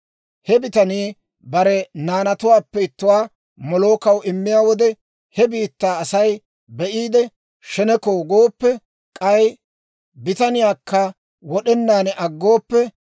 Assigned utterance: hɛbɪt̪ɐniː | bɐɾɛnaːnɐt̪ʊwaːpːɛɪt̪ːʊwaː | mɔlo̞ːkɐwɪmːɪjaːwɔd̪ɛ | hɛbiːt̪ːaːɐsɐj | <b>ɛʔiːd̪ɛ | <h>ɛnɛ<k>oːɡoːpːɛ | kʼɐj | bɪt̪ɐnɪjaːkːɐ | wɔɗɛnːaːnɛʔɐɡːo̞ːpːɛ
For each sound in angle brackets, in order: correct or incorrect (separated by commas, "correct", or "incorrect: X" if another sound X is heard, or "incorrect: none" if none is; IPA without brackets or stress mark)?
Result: correct, incorrect: ʃ, correct